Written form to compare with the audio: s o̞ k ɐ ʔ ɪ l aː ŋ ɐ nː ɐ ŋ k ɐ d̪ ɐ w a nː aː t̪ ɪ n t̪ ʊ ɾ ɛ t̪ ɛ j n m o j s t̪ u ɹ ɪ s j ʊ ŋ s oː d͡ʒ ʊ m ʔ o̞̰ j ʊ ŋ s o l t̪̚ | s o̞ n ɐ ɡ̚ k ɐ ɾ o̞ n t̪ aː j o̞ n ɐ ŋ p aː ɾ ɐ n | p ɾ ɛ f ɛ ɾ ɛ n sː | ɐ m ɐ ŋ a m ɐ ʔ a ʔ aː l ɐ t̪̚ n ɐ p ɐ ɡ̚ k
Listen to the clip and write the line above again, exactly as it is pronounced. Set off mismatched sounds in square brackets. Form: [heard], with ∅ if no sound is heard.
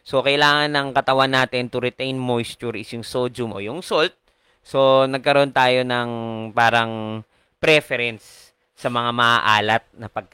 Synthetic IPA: s o̞ k ɐ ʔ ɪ l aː ŋ ɐ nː ɐ ŋ k ɐ [t̪] ɐ w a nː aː t̪ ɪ n t̪ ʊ ɾ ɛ t̪ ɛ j n m o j s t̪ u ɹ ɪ s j ʊ ŋ s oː d͡ʒ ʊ m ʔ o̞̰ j ʊ ŋ s o l t̪̚ | s o̞ n ɐ ɡ̚ k ɐ ɾ o̞ n t̪ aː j o̞ n ɐ ŋ p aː ɾ ɐ [ŋ] | p ɾ ɛ f ɛ ɾ ɛ n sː | ɐ m ɐ ŋ a m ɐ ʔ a ʔ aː l ɐ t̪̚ n ɐ p ɐ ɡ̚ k